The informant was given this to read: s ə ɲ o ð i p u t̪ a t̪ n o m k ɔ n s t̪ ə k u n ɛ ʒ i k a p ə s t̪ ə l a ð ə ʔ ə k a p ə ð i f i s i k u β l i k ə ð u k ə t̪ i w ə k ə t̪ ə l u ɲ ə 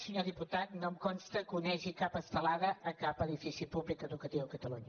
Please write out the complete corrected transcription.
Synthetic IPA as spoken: s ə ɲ o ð i p u t̪ a t̪ n o m k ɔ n s t̪ ə k u n ɛ ʒ i k a p ə s t̪ ə l a ð ə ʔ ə k a p ə ð i f i s i p u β l i k ə ð u k ə t̪ i w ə k ə t̪ ə l u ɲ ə